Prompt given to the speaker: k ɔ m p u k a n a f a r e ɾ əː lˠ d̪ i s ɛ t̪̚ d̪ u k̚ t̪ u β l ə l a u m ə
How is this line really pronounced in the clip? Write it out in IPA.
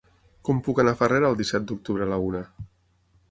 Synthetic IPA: k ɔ m p u k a n a f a r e ɾ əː lˠ d̪ i s ɛ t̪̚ d̪ u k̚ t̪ u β ɾ ə l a u n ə

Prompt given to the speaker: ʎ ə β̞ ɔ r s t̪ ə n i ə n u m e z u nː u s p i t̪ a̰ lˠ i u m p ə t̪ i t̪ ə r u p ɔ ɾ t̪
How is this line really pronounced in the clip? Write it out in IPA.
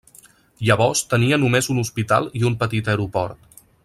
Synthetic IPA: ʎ ə β̞ ɔ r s t̪ ə n i ə n u m e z u n u s p i t̪ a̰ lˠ i u m p ə t̪ i t̪ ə ɾ u p ɔ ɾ t̪

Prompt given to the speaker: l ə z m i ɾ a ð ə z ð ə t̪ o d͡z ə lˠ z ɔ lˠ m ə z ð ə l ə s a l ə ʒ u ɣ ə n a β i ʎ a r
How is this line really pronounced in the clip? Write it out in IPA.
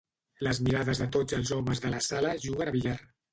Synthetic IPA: l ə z m i ɾ a ð ə z ð ə t̪ o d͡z ə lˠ z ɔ m ə z ð ə l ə s a l ə ʒ u ɣ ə n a β i ʎ a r

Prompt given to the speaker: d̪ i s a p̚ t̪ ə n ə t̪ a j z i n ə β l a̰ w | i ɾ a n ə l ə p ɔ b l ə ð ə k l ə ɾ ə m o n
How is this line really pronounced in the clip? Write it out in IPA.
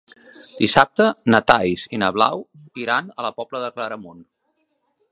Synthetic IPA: d̪ i s a p̚ t̪ ə n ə t̪ a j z i n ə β l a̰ w | i ɾ a n ə l ə p ɔ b l ə ð ə k l ə ɾ ə m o n

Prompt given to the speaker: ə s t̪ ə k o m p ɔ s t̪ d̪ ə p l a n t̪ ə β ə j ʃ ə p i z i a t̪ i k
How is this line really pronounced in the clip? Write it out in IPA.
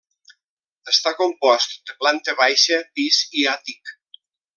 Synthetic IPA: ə s t̪ a k o m p ɔ s t̪ d̪ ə p l a n t̪ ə β a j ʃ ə p i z i a t̪ i k

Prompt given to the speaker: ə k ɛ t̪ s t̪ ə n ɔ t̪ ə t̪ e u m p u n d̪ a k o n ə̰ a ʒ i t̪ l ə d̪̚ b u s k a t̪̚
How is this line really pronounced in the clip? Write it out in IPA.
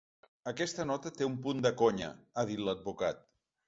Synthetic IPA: ə k ɛ s t̪ ə n ɔ t̪ ə t̪ e u m p u n d̪ ə k o ɲ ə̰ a ð i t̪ l ə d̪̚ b u k a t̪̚

